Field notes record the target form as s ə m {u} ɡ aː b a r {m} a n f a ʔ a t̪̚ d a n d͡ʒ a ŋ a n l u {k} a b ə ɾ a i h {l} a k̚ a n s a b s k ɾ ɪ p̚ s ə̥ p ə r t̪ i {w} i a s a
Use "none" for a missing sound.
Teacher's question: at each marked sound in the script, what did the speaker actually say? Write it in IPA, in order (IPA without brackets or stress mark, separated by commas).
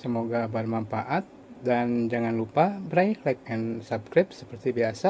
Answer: o, m, p, l, b